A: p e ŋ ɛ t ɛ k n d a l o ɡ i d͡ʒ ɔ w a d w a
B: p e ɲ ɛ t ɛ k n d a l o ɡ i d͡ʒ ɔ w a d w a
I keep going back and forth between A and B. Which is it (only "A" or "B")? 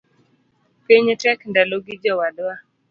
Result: B